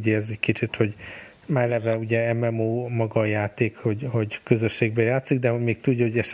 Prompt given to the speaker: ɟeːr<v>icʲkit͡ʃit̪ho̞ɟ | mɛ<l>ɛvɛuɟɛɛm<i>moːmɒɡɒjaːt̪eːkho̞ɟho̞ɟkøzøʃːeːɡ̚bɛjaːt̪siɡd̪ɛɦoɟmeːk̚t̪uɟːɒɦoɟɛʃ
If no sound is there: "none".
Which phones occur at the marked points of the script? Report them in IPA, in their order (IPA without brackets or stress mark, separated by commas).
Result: z, l, ɛ